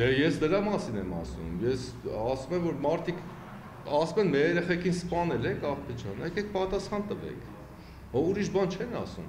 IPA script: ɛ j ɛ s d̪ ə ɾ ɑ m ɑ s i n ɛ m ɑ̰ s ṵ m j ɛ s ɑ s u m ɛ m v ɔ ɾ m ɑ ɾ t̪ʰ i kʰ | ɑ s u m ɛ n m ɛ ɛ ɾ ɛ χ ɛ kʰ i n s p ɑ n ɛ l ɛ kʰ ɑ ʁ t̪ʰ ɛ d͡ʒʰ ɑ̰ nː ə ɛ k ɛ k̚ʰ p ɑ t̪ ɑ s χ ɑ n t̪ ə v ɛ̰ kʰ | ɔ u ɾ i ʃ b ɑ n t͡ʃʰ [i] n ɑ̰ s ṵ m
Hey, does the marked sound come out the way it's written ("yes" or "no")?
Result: no